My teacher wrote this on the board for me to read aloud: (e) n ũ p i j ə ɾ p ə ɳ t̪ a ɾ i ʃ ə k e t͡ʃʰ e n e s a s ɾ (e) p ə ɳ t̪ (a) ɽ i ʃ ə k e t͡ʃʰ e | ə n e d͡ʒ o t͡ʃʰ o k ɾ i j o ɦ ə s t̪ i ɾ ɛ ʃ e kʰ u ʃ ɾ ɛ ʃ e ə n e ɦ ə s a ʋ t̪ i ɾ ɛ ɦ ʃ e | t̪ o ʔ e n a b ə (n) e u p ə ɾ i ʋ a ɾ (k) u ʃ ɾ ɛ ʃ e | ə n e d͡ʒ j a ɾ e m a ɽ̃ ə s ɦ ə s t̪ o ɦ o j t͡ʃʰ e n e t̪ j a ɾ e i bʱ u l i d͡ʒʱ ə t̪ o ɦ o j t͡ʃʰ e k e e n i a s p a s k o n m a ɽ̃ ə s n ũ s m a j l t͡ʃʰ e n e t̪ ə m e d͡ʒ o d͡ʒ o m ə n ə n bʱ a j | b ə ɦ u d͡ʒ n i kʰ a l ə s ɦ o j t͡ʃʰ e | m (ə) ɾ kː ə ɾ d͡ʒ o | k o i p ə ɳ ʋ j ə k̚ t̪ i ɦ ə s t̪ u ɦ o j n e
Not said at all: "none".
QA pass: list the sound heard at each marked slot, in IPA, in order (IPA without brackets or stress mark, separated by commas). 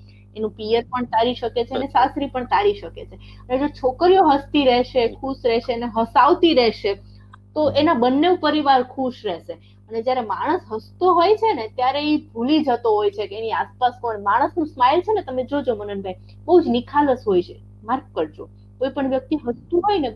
e, i, a, nː, kʰ, a